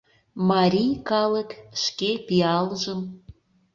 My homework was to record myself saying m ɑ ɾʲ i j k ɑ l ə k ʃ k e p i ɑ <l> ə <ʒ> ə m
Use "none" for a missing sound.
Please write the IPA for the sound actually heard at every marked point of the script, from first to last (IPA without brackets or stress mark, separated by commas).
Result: l, ʒ